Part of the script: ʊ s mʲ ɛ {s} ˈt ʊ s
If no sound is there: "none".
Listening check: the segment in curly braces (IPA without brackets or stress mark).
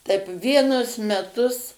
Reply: none